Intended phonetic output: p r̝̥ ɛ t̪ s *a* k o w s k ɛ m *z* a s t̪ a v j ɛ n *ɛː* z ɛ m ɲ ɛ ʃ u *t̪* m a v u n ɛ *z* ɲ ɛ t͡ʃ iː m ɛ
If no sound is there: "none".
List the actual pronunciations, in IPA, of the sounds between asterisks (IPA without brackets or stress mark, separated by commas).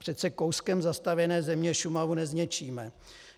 ɛ, z, ɛː, none, z